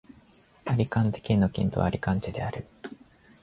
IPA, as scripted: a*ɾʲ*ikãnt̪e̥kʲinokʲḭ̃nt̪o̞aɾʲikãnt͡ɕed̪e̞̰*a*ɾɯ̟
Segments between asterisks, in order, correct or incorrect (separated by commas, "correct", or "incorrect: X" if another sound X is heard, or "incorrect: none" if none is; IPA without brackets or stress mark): correct, correct